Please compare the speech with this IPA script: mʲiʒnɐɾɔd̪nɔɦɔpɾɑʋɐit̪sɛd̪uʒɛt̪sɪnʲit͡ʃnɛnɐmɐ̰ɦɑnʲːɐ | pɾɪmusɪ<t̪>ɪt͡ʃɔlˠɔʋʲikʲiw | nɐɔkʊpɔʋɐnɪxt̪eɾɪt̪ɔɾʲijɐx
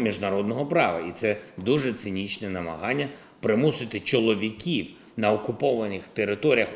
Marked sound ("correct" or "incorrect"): correct